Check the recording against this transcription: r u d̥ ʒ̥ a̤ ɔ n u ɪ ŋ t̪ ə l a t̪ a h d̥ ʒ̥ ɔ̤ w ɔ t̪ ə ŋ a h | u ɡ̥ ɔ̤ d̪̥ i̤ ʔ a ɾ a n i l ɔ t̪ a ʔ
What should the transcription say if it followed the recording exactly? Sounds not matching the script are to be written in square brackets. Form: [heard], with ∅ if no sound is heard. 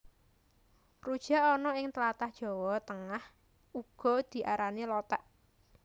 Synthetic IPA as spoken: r u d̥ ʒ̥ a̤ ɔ n [ɔ] ɪ ŋ t̪ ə l a t̪ a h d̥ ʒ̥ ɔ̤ w ɔ t̪ ə ŋ a h | u ɡ̥ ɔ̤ d̪̥ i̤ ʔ a ɾ a n i l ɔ t̪ a ʔ